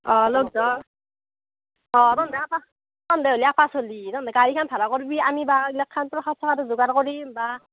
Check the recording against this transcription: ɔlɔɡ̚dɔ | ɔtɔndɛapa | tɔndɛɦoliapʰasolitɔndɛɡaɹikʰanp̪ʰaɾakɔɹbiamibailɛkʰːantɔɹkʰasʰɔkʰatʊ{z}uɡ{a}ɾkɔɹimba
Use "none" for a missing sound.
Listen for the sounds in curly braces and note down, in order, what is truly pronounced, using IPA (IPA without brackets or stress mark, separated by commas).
z, a